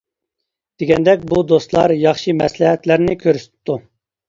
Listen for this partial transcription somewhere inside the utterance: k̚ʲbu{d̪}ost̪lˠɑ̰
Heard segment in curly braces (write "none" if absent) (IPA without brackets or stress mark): d̪